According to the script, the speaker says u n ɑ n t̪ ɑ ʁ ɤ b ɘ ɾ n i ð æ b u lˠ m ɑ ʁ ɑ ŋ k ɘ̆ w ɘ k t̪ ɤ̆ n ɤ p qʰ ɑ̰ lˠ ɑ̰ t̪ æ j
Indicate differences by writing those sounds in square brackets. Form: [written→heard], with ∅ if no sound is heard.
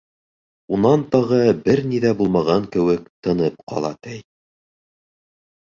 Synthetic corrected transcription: u n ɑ n t̪ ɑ ʁ ɤ b ɘ ɾ n i ð æ b u lˠ m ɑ ʁ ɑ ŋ k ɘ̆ w ɘ k t̪ ɤ̆ n ɤ p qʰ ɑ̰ lˠ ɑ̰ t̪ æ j

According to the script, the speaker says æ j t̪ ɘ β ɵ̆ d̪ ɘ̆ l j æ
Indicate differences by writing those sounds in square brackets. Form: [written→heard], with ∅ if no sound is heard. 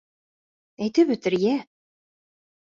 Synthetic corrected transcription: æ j t̪ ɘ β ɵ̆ [d̪→t̪] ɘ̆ [l→ɾ] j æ

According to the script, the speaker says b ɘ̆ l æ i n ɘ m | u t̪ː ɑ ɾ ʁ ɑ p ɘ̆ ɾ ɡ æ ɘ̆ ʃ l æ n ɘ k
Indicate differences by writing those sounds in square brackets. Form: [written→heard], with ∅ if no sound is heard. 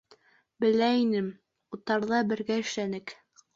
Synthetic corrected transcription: b ɘ̆ l æ i n ɘ m | u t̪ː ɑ ɾ [ʁ→ð] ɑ [p→b] ɘ̆ ɾ ɡ æ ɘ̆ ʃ l æ n ɘ k

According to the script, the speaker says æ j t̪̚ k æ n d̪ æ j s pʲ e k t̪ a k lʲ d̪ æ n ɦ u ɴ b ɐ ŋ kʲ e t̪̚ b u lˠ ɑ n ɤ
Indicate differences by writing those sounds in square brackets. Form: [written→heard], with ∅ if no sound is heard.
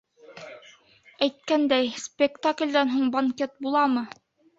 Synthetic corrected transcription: æ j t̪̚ k æ n d̪ æ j s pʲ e k t̪ a k lʲ d̪ æ n ɦ u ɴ b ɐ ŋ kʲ e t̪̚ b u lˠ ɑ [n→m] ɤ

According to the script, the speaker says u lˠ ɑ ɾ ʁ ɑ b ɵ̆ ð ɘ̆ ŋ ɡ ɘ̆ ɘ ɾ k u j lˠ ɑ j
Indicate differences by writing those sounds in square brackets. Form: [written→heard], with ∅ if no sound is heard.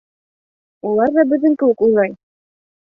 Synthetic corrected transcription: u lˠ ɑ ɾ [ʁ→ð] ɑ b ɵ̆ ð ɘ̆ ŋ [ɡ→k] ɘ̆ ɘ [ɾ→∅] k u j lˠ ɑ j

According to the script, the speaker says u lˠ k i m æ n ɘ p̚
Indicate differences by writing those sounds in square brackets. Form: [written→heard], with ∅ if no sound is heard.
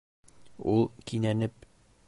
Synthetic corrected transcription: u lˠ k i [m→n] æ n ɘ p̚

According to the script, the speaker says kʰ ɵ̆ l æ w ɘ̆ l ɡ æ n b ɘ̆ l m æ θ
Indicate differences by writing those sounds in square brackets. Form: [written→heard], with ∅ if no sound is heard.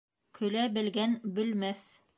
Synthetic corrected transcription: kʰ ɵ̆ l æ [w→b] ɘ̆ l ɡ æ n b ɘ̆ l m æ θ

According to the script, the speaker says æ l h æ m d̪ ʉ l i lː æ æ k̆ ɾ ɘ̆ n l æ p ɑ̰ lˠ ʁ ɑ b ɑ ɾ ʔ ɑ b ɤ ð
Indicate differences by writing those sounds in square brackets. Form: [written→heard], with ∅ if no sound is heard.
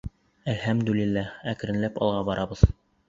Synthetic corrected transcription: æ l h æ m d̪ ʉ l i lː æ æ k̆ ɾ ɘ̆ n l æ p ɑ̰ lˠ ʁ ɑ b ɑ ɾ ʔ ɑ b ɤ ð

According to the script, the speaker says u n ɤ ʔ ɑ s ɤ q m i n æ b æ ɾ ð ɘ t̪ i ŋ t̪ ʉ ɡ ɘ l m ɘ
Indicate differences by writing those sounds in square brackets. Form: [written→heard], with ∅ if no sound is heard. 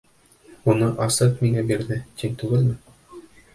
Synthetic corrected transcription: u n ɤ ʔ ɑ s ɤ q m i [n→ŋ] æ b [æ→i] ɾ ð ɘ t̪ i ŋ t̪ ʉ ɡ ɘ l m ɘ

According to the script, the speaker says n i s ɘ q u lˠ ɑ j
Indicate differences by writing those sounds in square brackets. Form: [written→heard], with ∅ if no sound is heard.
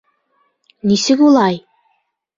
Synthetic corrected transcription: n i s ɘ [q→k] u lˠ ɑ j

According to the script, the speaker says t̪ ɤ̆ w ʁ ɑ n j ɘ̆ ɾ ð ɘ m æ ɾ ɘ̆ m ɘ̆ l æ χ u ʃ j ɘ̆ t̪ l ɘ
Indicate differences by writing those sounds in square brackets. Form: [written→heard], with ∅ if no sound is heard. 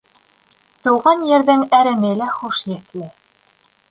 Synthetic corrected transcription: t̪ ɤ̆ w ʁ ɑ n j ɘ̆ ɾ ð ɘ [m→ŋ] æ ɾ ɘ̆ m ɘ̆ l æ χ u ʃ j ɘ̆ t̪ l ɘ

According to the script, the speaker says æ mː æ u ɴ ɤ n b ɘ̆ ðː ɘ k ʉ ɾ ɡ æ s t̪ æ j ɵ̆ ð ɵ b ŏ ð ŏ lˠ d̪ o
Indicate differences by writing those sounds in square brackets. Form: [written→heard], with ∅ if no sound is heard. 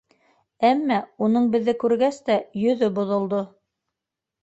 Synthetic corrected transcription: æ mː æ u [ɴ→n] ɤ [n→ɴ] b ɘ̆ ðː ɘ k ʉ ɾ ɡ æ s t̪ æ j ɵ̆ ð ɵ b ŏ ð ŏ lˠ d̪ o

